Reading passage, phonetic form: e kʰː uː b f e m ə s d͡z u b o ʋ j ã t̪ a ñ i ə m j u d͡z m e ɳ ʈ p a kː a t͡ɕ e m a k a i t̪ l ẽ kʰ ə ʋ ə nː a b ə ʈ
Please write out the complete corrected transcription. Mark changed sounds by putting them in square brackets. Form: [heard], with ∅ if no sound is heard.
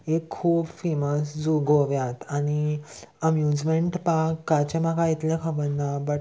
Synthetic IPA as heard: e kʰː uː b f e m ə s d͡z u [ɡ] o ʋ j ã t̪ a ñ i ə m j u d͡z m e ɳ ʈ p a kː a t͡ɕ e m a k a i t̪ l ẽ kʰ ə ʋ ə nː a b ə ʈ